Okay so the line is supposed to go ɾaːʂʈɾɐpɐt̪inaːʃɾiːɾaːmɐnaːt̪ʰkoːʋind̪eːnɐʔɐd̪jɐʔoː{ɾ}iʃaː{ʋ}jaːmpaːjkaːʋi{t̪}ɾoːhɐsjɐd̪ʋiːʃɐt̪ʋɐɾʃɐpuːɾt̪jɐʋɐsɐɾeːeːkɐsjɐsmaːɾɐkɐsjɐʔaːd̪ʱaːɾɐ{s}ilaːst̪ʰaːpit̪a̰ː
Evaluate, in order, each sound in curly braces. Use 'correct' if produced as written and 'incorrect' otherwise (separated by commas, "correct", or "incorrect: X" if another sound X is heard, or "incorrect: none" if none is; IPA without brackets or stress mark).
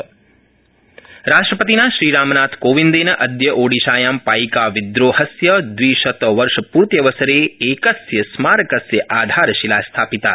incorrect: ɽ, incorrect: none, incorrect: d̪, incorrect: ʃ